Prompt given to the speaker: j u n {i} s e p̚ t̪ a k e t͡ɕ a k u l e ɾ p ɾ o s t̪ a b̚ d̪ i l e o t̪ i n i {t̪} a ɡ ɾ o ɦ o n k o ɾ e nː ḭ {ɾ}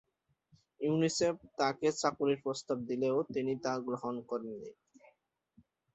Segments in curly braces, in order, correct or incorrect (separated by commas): correct, correct, incorrect